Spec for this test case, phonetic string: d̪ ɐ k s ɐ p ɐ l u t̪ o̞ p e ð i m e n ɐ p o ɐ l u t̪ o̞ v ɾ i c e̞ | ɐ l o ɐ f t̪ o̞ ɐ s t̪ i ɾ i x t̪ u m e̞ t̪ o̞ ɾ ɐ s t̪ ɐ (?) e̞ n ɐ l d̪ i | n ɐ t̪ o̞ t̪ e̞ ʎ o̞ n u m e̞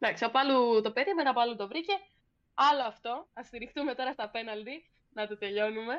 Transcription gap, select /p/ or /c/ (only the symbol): p